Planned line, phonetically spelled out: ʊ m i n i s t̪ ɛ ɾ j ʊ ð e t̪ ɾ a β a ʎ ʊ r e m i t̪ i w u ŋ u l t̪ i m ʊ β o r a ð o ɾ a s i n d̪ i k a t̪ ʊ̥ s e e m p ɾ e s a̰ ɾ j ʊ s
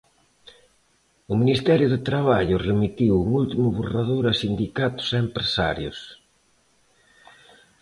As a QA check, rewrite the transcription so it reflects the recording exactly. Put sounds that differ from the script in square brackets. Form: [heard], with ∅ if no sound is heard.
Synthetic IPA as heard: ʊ m i n i s t̪ ɛ ɾ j ʊ ð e t̪ ɾ a β a ʎ ʊ r e m i t̪ i w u ŋ u l t̪ i m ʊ β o r a ð o ɾ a s i n d̪ i k a t̪ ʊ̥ s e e m p ɾ e s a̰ ɾ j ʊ s